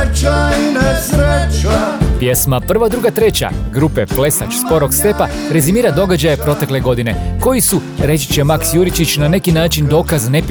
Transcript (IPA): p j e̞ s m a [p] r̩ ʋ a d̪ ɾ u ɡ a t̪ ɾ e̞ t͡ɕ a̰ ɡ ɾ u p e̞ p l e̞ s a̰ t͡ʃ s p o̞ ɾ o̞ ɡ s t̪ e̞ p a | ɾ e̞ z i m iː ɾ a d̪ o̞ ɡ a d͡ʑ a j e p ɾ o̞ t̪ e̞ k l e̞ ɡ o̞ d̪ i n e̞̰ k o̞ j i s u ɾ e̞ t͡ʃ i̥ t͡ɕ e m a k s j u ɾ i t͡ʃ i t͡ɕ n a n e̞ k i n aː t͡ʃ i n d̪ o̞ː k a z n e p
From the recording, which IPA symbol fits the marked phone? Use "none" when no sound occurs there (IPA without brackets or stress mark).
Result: p